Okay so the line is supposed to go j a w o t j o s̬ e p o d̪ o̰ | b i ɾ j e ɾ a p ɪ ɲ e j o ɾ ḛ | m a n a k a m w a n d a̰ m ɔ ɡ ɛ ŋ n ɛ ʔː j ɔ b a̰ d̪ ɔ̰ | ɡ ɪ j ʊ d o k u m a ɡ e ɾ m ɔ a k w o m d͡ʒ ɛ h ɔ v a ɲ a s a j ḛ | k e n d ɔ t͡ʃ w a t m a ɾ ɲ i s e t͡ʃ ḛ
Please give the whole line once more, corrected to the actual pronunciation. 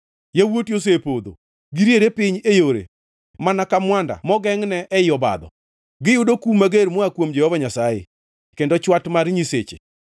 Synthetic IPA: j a w o t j o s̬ e p o d̪ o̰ | ɡ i ɾ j e ɾ e p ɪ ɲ e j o ɾ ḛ | m a n a k a m w a n d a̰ m ɔ ɡ ɛ ŋ n ɛ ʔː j ɔ b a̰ d̪ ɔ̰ | ɡ ɪ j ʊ d o k u m a ɡ e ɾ m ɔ a k w o m d͡ʒ ɛ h ɔ v a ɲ a s a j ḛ | k e n d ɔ t͡ʃ w a t m a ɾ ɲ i s e t͡ʃ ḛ